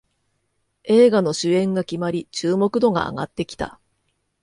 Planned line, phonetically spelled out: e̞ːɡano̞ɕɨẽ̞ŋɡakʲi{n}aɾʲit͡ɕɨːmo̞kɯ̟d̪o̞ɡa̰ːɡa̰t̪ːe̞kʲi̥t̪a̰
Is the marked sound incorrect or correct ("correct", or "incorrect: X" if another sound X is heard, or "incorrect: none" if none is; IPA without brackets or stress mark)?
incorrect: m